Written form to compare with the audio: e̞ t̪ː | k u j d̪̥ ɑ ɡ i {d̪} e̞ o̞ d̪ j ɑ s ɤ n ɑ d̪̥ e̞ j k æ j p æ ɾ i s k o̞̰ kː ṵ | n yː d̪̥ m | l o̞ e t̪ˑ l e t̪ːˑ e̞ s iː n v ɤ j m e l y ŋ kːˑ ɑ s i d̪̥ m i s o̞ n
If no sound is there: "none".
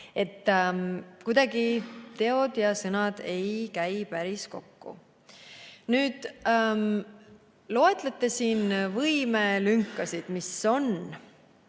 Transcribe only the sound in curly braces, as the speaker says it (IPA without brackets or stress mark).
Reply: t̪